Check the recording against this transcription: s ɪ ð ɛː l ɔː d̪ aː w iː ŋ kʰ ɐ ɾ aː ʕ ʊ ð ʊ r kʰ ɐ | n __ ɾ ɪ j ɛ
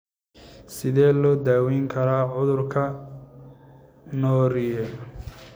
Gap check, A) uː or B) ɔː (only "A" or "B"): B